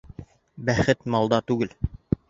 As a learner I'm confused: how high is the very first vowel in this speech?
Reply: low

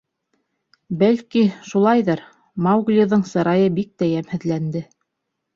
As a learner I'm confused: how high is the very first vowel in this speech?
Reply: low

